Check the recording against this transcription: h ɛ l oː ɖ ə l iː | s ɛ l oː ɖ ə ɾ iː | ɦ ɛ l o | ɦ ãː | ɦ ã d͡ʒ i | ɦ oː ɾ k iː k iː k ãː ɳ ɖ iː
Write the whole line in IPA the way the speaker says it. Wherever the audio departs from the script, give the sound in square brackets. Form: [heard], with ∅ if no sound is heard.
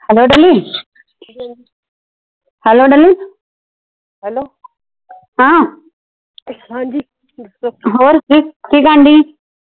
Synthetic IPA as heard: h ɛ l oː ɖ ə l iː | [h] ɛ l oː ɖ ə [l] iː | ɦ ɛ l o | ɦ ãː | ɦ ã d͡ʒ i | ɦ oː ɾ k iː k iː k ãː ɳ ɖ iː

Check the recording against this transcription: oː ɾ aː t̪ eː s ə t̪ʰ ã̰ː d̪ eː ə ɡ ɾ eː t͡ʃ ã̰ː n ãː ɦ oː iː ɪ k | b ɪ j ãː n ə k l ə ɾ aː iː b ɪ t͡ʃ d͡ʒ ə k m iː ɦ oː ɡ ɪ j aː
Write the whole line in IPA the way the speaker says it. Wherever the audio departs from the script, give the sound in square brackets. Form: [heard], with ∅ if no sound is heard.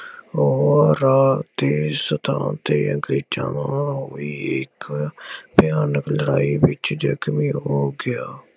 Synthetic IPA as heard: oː ɾ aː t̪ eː s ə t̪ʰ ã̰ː [t̪] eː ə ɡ ɾ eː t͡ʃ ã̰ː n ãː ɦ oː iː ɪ k | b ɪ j [aː] n ə k l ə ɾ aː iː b ɪ t͡ʃ d͡ʒ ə k m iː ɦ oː ɡ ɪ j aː

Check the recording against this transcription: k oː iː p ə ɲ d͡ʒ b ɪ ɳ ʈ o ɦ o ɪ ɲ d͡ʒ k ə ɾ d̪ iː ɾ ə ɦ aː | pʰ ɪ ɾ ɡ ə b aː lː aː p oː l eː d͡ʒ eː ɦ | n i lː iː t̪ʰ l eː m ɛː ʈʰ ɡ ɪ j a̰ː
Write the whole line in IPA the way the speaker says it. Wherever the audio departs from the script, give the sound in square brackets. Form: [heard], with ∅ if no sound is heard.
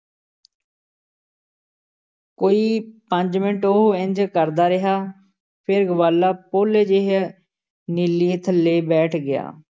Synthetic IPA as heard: k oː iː p ə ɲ d͡ʒ [m] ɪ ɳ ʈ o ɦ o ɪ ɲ d͡ʒ k ə ɾ d̪ [aː] ɾ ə ɦ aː | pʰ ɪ ɾ ɡ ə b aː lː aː p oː l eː d͡ʒ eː ɦ | n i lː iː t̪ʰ l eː [b] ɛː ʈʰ ɡ ɪ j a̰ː

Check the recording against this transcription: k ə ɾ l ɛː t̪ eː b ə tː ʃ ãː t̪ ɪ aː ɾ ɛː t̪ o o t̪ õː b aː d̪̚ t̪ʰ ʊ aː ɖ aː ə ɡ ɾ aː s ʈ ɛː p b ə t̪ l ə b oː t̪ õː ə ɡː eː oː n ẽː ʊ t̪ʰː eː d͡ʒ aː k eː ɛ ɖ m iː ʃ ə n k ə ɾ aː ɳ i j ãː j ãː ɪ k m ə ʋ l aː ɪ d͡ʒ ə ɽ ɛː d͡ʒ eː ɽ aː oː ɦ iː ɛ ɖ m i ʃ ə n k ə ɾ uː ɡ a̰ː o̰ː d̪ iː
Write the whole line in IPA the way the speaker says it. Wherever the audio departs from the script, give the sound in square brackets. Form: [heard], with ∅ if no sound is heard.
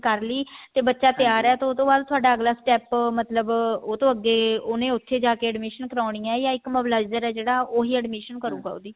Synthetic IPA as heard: k ə ɾ l [iː] t̪ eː b ə tː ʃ [aː] t̪ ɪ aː ɾ ɛː t̪ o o t̪ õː b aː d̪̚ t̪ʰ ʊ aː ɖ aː ə ɡ [l] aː s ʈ ɛː p [m] ə t̪ l ə b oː t̪ õː ə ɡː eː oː n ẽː ʊ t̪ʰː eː d͡ʒ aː k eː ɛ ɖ m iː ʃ ə n k ə ɾ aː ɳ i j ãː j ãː ɪ k m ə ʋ l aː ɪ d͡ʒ ə [ɾ] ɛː d͡ʒ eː ɽ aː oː ɦ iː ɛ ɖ m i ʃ ə n k ə ɾ uː ɡ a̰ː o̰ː d̪ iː

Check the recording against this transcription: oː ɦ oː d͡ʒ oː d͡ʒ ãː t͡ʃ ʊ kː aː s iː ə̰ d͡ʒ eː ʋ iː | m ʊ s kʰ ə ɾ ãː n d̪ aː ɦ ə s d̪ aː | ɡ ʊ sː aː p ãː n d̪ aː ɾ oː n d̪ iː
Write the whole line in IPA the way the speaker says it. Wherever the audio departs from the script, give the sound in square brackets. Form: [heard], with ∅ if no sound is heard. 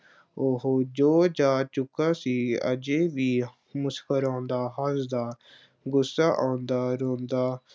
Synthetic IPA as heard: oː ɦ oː d͡ʒ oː d͡ʒ [aː] t͡ʃ ʊ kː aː s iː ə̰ d͡ʒ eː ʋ iː | m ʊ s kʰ ə ɾ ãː n d̪ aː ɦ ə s d̪ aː | ɡ ʊ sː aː [ʔ] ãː n d̪ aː ɾ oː n d̪ [aː]

